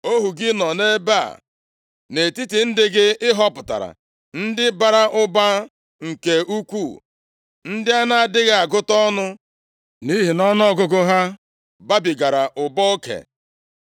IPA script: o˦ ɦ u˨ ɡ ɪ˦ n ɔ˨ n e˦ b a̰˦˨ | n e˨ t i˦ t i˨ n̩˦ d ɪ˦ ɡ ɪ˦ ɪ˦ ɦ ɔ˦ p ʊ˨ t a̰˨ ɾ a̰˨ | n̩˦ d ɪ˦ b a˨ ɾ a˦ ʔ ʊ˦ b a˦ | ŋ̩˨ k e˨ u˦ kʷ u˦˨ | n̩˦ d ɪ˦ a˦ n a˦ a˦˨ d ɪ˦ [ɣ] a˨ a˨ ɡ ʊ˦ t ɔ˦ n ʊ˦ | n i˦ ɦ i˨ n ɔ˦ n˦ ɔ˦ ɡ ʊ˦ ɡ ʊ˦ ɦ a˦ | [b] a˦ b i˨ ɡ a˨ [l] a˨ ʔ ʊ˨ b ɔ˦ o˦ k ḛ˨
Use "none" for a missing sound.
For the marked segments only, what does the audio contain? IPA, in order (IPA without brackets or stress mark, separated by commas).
ɣ, b, ɾ